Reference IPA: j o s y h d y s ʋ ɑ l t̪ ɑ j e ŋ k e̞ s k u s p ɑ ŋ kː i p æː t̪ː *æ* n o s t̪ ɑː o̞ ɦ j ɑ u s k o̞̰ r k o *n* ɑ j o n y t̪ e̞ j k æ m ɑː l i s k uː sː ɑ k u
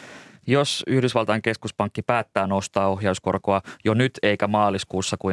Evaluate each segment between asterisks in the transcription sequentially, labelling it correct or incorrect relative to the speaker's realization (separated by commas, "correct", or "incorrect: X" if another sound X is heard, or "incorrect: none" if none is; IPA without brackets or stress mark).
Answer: incorrect: æː, incorrect: none